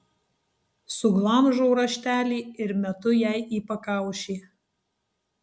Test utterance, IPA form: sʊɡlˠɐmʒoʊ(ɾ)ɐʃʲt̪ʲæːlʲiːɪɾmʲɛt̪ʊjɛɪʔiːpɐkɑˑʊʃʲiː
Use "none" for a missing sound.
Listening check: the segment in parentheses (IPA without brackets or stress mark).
ɾ